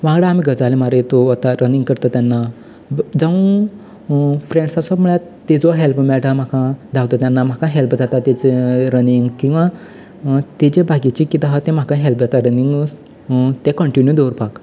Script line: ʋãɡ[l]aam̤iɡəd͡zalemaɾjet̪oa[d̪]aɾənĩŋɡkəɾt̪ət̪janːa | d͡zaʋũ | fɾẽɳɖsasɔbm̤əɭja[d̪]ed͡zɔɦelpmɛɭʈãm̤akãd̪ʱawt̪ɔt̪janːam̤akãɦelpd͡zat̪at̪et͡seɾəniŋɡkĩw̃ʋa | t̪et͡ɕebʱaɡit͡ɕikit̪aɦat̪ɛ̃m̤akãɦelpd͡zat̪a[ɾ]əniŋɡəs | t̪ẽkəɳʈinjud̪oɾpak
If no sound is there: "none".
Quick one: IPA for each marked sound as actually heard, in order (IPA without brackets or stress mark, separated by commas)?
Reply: ɽ, t̪, t̪, ɾ